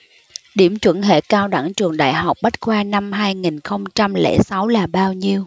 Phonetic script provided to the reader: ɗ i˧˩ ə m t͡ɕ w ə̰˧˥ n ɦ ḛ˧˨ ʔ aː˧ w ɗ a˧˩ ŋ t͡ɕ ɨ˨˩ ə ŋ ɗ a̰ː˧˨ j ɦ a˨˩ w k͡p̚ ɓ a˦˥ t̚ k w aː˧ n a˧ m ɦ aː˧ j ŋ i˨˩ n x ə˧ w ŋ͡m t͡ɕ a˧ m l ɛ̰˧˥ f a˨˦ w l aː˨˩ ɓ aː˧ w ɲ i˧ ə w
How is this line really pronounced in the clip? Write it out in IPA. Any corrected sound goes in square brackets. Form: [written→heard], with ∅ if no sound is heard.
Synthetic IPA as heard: ɗ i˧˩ ə m t͡ɕ w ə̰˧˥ n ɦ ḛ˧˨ [ʔ→k] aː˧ w ɗ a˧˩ ŋ t͡ɕ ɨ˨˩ ə ŋ ɗ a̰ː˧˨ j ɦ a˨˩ w k͡p̚ ɓ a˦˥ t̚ k w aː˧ n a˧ m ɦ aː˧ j ŋ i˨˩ n x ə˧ w ŋ͡m t͡ɕ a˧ m l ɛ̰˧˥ [f→s] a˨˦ w l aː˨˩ ɓ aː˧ w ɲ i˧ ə w